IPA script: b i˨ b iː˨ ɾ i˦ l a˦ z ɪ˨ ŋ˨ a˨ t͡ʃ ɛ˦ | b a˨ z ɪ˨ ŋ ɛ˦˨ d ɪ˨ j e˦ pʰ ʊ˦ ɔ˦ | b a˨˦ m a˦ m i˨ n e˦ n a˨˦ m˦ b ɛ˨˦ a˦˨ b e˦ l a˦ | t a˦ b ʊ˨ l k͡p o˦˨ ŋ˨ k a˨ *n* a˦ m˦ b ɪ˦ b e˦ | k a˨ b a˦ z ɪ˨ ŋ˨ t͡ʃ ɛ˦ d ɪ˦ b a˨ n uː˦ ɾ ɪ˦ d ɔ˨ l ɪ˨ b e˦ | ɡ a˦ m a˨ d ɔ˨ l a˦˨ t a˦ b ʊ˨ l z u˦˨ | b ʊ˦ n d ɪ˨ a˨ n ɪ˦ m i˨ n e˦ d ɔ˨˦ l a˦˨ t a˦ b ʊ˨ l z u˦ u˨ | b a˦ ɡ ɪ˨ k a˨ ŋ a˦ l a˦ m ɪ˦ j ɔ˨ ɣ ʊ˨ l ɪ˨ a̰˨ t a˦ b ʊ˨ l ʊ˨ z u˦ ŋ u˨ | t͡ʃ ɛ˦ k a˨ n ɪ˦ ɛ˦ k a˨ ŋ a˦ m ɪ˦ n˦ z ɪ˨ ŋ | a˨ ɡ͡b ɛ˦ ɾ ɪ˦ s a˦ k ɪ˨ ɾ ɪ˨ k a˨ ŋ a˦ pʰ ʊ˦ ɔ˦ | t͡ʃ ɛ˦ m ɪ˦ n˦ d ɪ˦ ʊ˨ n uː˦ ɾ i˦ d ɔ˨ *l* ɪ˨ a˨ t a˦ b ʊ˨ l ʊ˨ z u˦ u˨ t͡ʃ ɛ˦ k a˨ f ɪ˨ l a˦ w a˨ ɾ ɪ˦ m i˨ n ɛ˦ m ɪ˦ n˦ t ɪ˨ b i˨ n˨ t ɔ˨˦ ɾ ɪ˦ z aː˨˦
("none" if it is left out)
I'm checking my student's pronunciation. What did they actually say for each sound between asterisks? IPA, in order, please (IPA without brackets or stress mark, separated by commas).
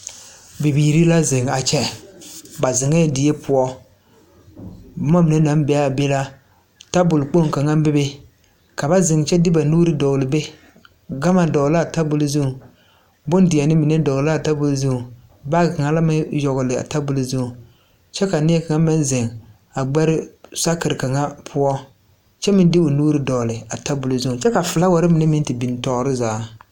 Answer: ŋ, l